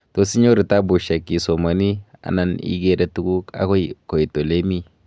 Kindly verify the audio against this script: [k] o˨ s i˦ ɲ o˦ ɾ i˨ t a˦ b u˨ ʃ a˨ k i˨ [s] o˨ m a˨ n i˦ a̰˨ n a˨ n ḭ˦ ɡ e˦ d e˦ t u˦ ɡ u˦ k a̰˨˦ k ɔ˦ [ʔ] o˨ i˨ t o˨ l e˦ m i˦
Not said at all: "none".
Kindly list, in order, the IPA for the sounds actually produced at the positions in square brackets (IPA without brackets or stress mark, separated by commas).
t, s, k